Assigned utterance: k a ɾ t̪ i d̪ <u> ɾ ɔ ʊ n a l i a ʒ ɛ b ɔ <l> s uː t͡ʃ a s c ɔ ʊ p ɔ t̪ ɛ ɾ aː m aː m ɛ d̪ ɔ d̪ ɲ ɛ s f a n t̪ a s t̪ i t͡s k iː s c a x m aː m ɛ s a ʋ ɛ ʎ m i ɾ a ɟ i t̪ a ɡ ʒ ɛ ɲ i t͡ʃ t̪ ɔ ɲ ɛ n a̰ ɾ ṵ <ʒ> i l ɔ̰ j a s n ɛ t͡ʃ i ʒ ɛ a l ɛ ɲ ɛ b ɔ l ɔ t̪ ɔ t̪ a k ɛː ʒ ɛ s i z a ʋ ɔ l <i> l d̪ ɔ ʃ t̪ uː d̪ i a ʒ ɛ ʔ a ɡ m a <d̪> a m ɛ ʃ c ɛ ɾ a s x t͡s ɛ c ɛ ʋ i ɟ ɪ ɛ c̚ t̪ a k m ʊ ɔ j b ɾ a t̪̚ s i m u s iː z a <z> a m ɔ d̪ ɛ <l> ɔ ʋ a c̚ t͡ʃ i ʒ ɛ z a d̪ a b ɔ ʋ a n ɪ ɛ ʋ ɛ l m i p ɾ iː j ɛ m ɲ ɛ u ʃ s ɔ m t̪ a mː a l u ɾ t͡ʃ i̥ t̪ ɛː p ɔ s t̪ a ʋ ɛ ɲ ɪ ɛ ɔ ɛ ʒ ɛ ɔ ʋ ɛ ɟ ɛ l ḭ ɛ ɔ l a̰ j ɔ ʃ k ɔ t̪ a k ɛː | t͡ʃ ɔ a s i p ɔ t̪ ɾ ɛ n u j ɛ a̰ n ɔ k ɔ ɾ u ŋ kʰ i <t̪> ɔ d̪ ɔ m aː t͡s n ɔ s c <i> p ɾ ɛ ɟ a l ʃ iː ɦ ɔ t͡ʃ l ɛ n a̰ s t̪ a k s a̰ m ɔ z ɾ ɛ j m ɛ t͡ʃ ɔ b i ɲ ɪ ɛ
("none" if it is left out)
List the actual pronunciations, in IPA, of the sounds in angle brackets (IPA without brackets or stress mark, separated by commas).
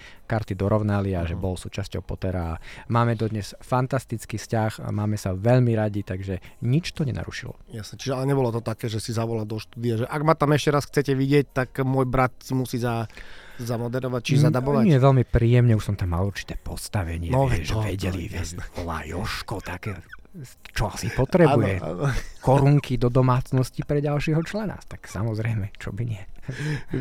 ɔ, l, ʃ, a, t̪, z, ɾ, d̪, i